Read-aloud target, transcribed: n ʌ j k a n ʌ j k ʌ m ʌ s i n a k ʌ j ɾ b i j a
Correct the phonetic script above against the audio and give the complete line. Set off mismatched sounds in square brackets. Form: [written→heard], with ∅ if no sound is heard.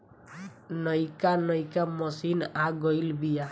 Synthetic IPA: n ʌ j k a n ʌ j k [ʌ→a] m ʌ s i n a [k→ɡ] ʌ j [ɾ→l] b i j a